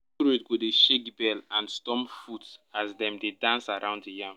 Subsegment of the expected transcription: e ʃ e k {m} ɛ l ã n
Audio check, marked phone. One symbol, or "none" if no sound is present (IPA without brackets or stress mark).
b